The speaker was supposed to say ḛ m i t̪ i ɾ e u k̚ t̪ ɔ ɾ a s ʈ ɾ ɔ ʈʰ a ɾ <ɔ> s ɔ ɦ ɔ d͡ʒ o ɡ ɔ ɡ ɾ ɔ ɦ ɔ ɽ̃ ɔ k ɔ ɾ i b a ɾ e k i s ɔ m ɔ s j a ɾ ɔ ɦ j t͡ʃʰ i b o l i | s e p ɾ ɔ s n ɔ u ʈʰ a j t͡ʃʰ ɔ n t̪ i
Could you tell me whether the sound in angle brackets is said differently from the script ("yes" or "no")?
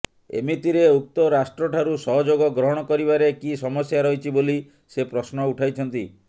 yes